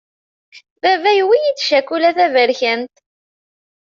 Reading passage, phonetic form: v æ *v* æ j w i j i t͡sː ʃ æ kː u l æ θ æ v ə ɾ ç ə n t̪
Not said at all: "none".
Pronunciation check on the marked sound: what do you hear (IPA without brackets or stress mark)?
v